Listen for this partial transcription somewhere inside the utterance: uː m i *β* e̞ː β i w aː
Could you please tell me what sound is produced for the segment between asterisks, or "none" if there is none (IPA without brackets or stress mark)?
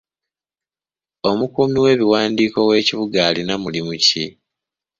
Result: w